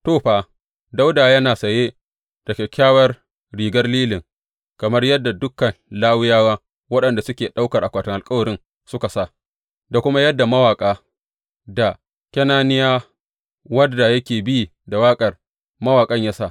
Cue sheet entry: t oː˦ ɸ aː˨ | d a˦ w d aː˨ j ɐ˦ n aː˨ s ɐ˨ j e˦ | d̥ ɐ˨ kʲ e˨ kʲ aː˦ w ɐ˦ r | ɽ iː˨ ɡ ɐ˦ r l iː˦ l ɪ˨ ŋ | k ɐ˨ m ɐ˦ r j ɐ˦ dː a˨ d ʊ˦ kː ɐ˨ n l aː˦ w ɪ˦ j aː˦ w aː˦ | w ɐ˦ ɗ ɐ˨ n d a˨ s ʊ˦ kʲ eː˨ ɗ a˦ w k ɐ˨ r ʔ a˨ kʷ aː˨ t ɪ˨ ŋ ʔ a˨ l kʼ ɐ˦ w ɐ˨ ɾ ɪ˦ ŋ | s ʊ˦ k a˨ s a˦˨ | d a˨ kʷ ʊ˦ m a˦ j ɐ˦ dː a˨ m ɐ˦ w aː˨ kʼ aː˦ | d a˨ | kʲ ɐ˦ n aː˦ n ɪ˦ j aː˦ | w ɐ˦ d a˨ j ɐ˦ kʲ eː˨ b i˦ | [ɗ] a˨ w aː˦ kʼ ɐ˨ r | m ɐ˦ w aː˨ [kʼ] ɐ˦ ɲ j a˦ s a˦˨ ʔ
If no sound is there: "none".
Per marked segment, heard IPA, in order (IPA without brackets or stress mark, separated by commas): d, kʼ